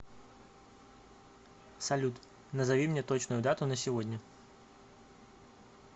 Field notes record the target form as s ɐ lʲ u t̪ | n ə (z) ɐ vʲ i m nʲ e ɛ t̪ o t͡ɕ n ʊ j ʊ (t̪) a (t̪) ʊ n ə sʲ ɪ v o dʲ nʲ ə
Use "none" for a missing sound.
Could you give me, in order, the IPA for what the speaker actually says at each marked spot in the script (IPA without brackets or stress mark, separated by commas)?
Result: z, d̪, t̪